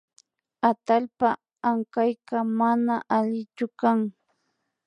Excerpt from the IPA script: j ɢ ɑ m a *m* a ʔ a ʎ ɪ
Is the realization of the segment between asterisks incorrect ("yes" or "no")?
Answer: yes